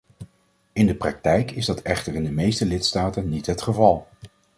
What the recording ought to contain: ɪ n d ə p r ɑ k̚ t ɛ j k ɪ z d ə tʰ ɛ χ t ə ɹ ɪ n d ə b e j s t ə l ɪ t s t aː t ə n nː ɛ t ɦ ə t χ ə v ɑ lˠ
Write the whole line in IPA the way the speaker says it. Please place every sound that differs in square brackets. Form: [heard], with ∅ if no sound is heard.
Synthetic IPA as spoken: ɪ n d ə p r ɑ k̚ t ɛ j k ɪ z d [ɑ] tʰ ɛ χ t ə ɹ ɪ n d ə [m] e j s t ə l ɪ t s t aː t ə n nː [i] t ɦ ə t χ ə v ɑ lˠ